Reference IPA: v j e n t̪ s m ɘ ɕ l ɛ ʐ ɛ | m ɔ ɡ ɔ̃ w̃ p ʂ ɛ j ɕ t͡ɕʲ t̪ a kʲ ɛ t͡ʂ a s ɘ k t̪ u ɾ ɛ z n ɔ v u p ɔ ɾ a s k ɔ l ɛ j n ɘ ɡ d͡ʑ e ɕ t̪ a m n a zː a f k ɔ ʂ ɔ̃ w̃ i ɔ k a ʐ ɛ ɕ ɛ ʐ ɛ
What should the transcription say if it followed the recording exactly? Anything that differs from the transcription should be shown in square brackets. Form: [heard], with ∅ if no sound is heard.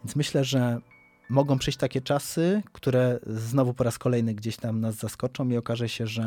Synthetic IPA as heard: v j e n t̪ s m ɘ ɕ l ɛ ʐ ɛ | m ɔ ɡ ɔ̃ w̃ p ʂ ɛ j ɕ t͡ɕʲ t̪ a kʲ ɛ t͡ʂ a s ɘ k t̪ u ɾ ɛ z n ɔ v u p ɔ ɾ a s k ɔ l ɛ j n ɘ ɡ d͡ʑ e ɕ t̪ a m n a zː a [s] k ɔ [t͡ʂ] ɔ̃ w̃ i ɔ k a ʐ ɛ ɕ ɛ ʐ ɛ